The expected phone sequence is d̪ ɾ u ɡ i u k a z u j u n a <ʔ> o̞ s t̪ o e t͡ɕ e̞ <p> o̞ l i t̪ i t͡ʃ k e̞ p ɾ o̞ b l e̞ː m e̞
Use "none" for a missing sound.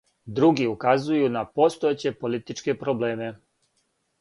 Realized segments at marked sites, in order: p, p

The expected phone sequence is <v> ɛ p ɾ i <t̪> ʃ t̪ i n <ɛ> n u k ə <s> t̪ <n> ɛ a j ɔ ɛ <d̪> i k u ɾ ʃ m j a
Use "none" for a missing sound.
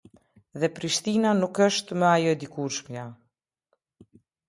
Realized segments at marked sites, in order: ð, none, a, ʃ, m, d̪

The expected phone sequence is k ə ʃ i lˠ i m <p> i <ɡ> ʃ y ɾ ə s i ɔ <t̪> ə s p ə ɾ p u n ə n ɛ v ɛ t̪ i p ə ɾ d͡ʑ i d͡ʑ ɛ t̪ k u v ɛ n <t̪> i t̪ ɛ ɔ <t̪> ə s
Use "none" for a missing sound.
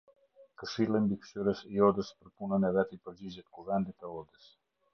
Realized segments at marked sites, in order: b, k, d̪, d̪, d̪

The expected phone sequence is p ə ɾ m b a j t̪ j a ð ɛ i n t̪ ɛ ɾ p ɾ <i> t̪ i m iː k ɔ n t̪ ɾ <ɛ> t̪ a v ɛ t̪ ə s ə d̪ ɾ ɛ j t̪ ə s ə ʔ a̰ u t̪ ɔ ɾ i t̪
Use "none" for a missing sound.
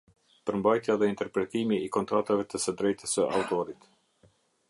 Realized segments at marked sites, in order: ɛ, a

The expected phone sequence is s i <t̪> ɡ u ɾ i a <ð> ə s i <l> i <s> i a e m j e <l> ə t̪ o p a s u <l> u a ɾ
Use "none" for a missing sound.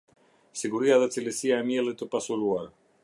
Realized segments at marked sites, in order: none, ð, l, s, l, l

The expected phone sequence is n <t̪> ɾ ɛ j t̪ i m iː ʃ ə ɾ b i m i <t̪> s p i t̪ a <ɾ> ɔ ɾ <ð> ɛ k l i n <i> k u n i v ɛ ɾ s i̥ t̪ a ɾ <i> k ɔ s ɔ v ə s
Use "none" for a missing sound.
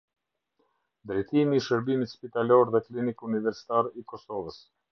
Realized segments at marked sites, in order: d̪, t̪, l, ð, i, i

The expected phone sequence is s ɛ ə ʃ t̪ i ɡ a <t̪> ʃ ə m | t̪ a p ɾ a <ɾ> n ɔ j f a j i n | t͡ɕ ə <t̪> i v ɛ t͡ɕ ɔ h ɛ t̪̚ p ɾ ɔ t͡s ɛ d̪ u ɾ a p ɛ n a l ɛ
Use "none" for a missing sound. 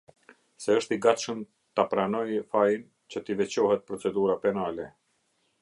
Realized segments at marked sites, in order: t̪, none, t̪

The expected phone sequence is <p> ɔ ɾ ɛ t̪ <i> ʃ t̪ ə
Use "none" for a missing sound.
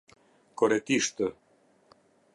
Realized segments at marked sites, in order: k, i

